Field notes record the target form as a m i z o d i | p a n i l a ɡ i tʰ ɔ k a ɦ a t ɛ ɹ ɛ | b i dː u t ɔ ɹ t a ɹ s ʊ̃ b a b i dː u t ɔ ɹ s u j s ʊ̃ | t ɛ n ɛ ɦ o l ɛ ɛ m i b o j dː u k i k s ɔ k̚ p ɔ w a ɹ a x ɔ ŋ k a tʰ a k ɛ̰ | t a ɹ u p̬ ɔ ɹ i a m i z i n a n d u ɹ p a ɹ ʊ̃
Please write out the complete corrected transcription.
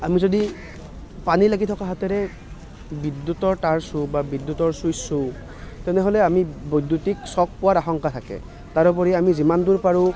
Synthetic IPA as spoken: a m i z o d i | p a n i l a ɡ i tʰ ɔ k a ɦ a t ɛ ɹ ɛ | b i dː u t ɔ ɹ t a ɹ s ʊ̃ b a b i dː u t ɔ ɹ s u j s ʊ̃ | t ɛ n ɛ ɦ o l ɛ a m i b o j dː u t i k s ɔ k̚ p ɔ w a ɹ a x ɔ ŋ k a tʰ a k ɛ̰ | t a ɹ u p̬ ɔ ɹ i a m i z i m a n d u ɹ p a ɹ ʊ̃